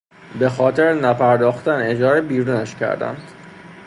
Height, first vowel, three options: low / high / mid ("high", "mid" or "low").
mid